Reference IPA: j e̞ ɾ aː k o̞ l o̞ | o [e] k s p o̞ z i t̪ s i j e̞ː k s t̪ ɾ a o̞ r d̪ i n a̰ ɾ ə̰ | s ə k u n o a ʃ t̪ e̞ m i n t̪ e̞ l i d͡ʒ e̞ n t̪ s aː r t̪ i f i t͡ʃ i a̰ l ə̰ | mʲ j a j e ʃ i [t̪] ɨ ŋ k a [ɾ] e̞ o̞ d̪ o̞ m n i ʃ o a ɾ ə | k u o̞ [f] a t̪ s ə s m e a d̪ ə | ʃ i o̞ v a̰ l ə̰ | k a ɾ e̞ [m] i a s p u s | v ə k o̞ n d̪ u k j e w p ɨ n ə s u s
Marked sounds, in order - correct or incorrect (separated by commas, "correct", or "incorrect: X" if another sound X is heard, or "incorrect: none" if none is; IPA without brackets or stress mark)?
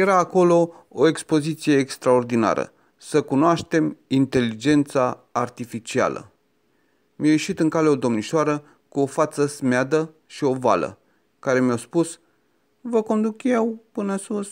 correct, correct, incorrect: l, correct, correct